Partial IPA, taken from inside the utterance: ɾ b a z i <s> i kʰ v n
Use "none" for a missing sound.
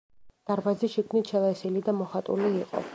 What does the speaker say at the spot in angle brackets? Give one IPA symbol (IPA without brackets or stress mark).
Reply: ʃ